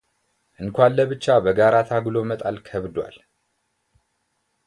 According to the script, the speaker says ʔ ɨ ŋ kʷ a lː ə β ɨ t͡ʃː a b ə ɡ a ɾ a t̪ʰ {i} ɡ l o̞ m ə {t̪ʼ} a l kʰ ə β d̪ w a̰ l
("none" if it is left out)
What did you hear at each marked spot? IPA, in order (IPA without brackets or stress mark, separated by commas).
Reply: a, t̪ʼ